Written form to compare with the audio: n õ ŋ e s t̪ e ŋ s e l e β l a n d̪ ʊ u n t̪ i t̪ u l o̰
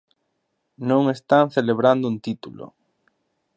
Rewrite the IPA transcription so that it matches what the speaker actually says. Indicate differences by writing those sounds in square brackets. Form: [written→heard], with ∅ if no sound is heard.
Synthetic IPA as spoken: n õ ŋ e s t̪ [e→a] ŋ [s→θ] e l e β [l→ɾ] a n d̪ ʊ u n t̪ i t̪ u l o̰